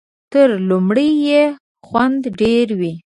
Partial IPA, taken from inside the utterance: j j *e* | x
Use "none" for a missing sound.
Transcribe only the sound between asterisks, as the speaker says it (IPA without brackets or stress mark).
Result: e